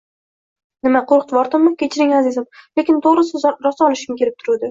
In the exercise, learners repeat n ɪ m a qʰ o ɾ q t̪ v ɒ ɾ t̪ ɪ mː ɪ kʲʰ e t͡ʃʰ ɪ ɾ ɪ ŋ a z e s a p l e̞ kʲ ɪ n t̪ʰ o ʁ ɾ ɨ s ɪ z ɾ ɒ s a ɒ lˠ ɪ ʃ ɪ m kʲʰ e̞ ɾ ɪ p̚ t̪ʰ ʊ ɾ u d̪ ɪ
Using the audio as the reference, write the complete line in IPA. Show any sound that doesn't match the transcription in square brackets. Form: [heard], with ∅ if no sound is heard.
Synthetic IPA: n ɪ m a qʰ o ɾ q t̪ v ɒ ɾ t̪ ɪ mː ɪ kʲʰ e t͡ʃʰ ɪ ɾ ɪ ŋ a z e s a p l e̞ kʲ ɪ n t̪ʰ o ʁ ɾ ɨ s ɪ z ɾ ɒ s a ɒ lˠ ɪ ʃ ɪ m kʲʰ e̞ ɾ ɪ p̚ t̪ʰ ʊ ɾ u d̪ ɪ